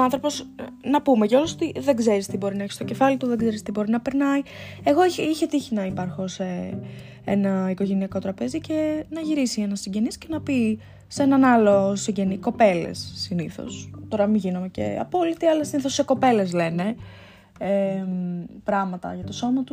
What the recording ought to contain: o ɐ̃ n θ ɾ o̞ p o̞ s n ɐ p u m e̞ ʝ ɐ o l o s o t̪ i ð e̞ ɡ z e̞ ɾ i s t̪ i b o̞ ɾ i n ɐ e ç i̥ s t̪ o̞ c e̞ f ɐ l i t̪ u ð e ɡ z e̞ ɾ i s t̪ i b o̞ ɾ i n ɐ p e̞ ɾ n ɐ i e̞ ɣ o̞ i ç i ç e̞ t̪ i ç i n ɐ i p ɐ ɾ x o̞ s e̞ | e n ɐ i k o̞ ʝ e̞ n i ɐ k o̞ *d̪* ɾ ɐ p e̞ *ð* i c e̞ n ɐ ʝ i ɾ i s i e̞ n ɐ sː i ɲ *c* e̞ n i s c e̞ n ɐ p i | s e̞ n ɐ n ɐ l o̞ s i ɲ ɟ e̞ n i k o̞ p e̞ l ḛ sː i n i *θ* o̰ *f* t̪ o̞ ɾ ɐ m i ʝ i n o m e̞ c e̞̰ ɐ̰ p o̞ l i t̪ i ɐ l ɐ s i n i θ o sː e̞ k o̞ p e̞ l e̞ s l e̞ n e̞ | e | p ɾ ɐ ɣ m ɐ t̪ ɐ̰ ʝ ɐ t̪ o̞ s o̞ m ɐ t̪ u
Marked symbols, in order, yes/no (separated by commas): no, no, no, yes, no